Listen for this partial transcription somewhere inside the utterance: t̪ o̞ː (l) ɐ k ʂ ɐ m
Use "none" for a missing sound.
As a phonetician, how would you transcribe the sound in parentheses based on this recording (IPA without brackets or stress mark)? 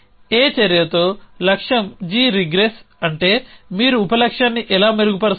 l